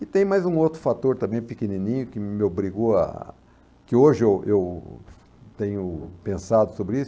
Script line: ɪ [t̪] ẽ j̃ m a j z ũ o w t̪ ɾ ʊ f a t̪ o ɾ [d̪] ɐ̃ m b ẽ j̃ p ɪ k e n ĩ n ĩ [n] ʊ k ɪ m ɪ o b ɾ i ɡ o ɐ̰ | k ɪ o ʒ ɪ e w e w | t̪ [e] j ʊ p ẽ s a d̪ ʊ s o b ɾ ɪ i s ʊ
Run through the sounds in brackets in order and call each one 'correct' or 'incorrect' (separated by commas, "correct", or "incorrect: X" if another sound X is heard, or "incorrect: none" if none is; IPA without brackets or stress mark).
correct, incorrect: t̪, incorrect: ɲ, incorrect: ẽ